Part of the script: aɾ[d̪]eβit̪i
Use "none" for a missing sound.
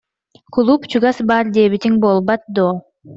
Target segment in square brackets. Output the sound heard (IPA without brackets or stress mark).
d̪